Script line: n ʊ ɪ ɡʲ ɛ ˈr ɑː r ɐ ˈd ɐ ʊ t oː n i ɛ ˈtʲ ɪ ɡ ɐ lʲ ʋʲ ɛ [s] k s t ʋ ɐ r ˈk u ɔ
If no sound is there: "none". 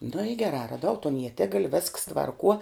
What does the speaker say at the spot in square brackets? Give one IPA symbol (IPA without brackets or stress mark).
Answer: s